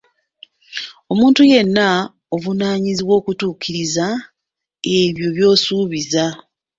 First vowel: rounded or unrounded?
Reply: rounded